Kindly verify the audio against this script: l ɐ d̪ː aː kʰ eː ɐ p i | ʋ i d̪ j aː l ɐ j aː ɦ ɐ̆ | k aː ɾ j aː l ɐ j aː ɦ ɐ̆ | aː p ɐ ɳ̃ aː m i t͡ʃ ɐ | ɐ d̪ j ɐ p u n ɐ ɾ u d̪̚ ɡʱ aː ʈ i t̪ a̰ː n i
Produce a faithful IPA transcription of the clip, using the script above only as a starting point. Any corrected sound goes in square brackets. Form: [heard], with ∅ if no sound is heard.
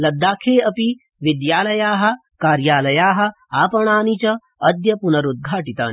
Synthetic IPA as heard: l ɐ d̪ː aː kʰ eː ɐ p i | ʋ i d̪ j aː l ɐ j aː ɦ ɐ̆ | k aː ɾ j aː l ɐ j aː ɦ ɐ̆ | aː p ɐ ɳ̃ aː [n] i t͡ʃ ɐ | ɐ d̪ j ɐ p u n ɐ ɾ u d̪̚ ɡʱ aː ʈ i t̪ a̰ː n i